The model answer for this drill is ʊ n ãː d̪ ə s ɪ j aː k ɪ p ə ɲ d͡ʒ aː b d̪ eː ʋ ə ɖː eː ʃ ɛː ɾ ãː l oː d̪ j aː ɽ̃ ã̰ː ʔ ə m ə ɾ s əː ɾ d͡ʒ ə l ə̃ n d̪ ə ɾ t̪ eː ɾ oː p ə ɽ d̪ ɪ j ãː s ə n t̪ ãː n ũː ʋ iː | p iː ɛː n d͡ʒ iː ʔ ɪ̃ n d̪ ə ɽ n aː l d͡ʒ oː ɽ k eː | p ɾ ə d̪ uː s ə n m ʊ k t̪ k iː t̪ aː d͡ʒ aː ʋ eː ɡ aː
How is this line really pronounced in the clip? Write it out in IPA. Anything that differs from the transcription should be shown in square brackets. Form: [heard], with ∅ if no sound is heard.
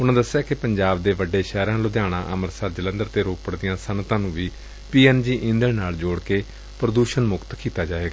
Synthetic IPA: ʊ n ãː d̪ ə s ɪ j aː k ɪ p ə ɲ d͡ʒ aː b d̪ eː ʋ ə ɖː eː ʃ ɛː ɾ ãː l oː d̪ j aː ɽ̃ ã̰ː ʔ ə m ə ɾ s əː ɾ d͡ʒ ə l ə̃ n d̪ ə ɾ t̪ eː ɾ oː p ə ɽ d̪ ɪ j ãː s ə n t̪ ãː n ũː ʋ iː | p iː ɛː n d͡ʒ iː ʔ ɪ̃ n d̪ ə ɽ n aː l d͡ʒ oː ɽ k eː | p ɾ ə d̪ uː [ʃ] ə n m ʊ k t̪ k iː t̪ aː d͡ʒ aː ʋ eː ɡ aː